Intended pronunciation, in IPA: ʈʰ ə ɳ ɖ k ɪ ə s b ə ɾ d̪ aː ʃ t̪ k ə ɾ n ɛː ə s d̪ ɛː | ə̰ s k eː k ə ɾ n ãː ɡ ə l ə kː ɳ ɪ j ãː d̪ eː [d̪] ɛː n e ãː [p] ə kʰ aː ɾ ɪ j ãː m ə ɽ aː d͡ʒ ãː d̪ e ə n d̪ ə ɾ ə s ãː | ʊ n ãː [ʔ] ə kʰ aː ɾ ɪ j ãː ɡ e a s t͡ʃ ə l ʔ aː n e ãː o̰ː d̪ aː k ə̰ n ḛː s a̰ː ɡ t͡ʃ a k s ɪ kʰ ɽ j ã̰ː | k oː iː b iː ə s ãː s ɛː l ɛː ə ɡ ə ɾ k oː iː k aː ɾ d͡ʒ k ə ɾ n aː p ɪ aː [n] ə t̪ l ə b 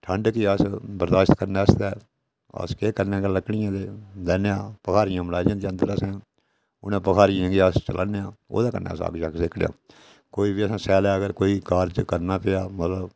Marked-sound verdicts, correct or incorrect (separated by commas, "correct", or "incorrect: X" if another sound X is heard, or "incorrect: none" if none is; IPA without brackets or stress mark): correct, correct, incorrect: p, incorrect: m